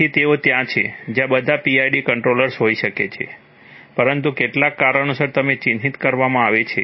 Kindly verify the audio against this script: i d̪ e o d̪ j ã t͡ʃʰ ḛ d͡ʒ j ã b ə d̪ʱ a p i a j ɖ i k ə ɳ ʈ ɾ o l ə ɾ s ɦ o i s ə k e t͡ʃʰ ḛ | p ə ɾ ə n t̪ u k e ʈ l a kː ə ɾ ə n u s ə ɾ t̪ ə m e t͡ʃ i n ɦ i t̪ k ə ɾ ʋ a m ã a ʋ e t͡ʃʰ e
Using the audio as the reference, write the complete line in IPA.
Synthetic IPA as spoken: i t̪ e o t̪ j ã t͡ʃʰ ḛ d͡ʒ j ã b ə d̪ʱ a p i a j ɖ i k ə ɳ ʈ ɾ o l ə ɾ s ɦ o i ʃ ə k e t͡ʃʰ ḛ | p ə ɾ ə n t̪ u k e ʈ l a kː a ɾ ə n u s ə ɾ t̪ ə m e t͡ʃ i n ɦ i t̪ k ə ɾ ʋ a m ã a ʋ e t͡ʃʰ e